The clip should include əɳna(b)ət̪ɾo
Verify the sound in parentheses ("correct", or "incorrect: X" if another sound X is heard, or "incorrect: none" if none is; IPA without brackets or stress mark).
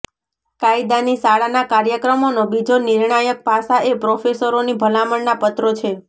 incorrect: p